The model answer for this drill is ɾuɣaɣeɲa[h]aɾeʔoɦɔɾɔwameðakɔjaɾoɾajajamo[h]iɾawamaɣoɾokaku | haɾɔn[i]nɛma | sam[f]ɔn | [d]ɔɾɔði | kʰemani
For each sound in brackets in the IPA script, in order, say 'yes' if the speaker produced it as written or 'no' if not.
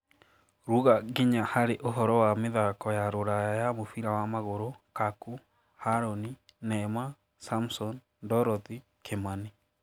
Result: yes, no, yes, no, yes

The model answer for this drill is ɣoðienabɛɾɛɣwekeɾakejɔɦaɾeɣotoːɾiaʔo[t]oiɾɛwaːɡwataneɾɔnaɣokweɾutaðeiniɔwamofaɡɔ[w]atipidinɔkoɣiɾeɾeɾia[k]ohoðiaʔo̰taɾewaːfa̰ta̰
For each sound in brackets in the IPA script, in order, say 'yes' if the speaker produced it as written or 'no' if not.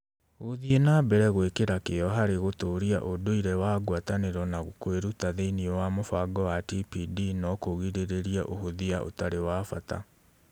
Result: no, yes, no

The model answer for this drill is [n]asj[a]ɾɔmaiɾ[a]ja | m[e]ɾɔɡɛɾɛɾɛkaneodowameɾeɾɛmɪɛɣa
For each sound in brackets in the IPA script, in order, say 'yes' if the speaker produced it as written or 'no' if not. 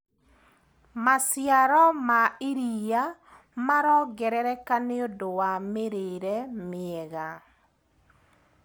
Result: no, yes, no, no

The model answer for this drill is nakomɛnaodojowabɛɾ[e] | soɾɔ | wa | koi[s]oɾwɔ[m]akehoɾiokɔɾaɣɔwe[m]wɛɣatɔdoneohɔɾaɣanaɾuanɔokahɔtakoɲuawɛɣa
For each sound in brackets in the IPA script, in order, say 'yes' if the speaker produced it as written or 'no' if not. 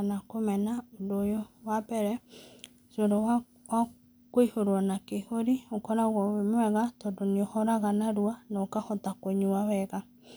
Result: no, no, no, yes

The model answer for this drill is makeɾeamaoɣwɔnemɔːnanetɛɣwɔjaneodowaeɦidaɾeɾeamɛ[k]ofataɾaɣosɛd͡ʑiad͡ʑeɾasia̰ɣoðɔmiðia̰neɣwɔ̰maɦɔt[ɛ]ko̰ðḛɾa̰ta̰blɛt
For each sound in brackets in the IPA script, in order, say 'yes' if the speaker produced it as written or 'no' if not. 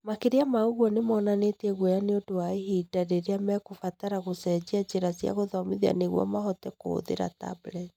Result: yes, yes

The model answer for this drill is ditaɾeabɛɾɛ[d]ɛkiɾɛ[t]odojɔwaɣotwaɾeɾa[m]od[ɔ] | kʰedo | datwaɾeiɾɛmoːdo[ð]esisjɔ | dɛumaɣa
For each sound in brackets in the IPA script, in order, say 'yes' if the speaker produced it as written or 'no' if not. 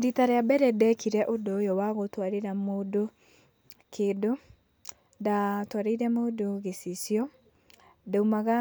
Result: yes, no, yes, no, no

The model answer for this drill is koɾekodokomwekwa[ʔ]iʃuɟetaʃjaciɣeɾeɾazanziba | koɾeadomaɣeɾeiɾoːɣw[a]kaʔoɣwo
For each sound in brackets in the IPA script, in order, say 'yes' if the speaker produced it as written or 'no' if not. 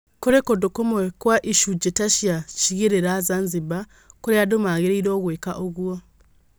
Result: yes, no

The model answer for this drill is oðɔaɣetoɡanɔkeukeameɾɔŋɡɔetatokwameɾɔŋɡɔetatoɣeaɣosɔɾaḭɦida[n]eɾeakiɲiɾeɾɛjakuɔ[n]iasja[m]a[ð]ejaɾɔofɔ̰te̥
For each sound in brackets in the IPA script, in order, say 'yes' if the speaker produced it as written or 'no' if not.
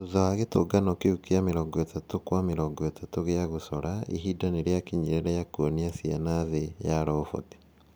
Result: yes, yes, no, yes

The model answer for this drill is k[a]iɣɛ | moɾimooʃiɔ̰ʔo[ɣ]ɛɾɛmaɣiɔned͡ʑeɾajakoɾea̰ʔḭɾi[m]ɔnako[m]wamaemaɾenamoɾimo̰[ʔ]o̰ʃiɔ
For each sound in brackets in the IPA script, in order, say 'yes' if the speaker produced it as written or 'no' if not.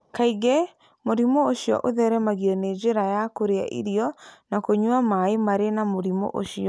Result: yes, no, no, no, yes

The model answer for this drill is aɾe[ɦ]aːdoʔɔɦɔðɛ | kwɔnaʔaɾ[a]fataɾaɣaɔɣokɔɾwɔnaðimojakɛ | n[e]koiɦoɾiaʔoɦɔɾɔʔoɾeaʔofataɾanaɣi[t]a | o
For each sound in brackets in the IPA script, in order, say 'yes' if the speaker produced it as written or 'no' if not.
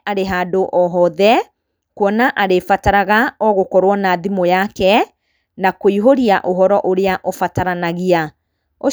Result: yes, no, no, no

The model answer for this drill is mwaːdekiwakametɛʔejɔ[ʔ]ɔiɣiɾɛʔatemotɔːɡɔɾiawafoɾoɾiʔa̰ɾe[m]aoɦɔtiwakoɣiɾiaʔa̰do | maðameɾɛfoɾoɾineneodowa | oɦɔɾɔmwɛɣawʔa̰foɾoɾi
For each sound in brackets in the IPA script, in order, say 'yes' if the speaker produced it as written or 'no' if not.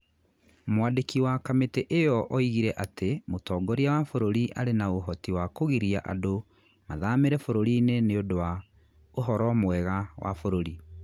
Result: yes, no

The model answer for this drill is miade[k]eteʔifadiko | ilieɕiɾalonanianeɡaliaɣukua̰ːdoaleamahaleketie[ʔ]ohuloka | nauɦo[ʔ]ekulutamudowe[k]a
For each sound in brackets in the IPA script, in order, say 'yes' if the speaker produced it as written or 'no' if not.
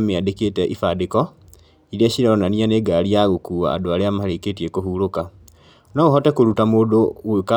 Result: yes, no, no, yes

